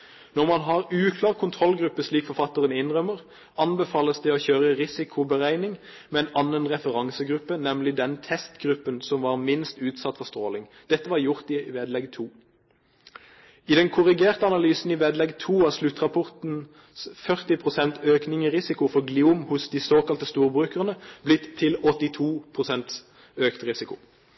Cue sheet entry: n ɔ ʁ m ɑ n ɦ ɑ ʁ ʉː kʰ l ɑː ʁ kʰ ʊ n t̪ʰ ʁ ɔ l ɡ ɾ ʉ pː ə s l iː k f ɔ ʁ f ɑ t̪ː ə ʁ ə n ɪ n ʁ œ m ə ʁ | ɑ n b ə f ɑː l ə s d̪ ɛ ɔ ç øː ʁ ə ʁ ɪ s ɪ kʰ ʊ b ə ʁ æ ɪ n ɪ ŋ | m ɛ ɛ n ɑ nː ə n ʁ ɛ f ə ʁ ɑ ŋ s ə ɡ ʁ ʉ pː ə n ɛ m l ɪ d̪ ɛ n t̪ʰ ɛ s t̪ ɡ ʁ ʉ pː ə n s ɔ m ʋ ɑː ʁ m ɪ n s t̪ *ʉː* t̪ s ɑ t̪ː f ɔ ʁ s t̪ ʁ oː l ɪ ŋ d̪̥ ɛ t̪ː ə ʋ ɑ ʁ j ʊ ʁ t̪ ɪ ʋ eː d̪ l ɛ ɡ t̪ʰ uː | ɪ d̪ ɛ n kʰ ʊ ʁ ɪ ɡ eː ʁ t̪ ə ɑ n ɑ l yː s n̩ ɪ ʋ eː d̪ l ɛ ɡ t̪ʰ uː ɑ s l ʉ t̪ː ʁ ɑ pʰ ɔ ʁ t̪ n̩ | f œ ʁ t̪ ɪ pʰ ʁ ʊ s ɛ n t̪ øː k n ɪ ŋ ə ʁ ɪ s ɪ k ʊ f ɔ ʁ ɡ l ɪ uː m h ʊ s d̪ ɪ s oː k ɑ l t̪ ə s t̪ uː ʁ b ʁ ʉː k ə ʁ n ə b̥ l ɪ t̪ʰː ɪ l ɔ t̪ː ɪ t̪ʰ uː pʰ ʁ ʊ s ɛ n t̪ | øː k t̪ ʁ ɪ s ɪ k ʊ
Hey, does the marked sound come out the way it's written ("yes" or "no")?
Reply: yes